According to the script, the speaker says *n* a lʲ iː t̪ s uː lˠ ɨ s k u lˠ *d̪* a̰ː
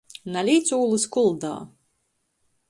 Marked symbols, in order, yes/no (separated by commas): yes, yes